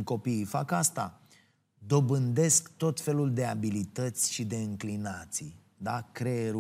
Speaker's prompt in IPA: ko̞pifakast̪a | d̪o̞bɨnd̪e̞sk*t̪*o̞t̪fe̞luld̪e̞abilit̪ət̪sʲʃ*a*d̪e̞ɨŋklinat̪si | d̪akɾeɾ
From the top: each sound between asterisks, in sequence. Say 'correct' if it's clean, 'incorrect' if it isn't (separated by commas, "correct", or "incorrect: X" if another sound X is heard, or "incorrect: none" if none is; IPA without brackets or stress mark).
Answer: correct, incorrect: i